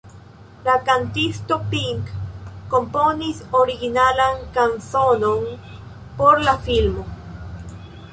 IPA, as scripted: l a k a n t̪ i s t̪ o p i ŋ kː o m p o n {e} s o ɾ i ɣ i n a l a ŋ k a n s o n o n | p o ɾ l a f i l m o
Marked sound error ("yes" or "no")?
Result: yes